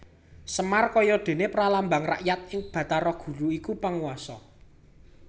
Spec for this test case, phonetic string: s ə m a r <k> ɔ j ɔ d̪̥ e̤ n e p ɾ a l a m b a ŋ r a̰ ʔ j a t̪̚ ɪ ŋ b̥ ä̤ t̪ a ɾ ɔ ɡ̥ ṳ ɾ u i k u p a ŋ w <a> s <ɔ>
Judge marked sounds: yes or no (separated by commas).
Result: yes, yes, yes